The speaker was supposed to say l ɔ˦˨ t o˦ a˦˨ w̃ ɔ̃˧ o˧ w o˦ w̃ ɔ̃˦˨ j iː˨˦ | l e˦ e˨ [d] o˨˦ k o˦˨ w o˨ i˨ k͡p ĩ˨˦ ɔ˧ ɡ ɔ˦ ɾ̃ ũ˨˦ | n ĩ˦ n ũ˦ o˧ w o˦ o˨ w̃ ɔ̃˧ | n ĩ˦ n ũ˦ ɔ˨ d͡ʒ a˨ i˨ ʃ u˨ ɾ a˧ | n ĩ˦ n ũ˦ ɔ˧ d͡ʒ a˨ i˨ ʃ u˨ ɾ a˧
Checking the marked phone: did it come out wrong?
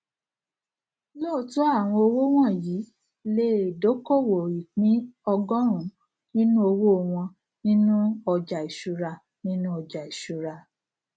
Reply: no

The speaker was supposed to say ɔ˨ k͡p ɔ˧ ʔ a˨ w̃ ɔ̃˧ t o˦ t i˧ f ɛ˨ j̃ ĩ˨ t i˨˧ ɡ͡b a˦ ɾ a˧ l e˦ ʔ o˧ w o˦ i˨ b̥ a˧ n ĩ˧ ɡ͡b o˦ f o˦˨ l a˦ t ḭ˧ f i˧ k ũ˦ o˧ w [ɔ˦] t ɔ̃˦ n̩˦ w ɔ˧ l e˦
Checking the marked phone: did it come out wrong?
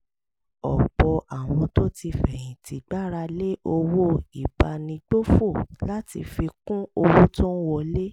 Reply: yes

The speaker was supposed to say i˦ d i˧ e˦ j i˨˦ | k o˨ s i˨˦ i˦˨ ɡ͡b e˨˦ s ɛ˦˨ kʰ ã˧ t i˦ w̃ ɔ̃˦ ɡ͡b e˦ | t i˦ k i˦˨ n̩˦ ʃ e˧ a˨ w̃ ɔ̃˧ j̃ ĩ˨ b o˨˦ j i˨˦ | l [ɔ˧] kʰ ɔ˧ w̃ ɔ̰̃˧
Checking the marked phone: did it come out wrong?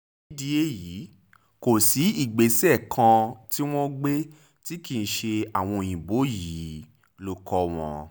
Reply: yes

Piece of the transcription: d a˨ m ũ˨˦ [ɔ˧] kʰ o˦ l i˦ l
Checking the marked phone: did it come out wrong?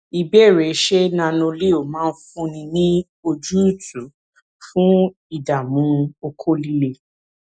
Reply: yes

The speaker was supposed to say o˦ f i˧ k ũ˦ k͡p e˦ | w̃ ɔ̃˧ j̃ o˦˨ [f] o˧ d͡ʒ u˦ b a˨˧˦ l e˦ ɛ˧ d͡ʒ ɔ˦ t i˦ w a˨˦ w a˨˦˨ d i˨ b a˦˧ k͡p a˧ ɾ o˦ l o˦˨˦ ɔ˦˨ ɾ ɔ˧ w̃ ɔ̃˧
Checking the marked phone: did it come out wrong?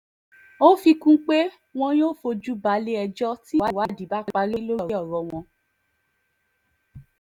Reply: no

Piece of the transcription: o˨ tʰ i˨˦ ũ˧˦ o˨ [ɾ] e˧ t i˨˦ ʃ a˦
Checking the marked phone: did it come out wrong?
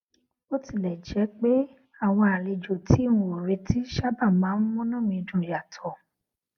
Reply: no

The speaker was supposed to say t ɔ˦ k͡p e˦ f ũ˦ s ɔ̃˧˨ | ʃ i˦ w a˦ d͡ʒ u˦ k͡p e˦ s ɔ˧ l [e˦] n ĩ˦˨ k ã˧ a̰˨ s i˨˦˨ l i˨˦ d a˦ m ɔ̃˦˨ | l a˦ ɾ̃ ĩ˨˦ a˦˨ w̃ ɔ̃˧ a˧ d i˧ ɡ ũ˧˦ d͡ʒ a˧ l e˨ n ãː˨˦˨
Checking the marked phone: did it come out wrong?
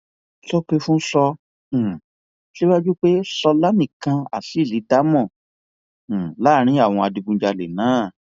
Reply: yes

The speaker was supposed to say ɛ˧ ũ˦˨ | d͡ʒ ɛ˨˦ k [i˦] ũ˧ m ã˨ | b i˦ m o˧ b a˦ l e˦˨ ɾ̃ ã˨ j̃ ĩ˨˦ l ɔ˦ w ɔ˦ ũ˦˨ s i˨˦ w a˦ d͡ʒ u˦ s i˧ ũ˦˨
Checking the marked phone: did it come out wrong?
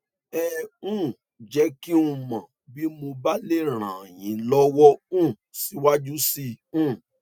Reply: no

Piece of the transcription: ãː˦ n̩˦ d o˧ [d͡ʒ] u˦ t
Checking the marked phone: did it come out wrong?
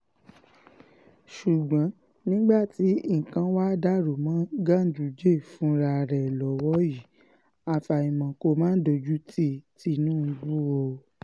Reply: no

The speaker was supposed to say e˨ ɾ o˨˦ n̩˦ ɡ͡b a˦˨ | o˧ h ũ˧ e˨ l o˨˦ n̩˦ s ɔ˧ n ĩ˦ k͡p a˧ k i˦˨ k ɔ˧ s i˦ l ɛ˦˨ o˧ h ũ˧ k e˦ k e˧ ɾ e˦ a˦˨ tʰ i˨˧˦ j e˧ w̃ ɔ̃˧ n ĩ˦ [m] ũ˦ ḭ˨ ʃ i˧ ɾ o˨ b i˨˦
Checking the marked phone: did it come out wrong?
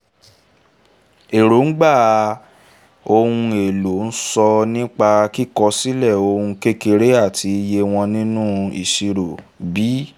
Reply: yes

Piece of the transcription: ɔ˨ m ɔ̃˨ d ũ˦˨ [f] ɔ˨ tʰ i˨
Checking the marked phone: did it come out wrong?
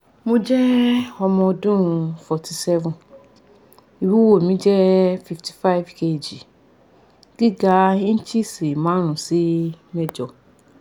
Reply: no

